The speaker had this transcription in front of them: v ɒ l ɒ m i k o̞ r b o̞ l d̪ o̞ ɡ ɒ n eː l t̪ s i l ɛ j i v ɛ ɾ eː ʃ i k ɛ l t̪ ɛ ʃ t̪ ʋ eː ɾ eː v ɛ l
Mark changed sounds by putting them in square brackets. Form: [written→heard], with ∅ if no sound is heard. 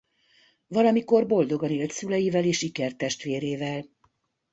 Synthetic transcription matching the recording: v ɒ l ɒ m i k o̞ r b o̞ l d̪ o̞ ɡ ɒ n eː l t̪ s [i→y] l ɛ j i v ɛ [ɾ→l] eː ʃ i k ɛ [l→r] t̪ ɛ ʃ t̪ ʋ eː ɾ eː v ɛ l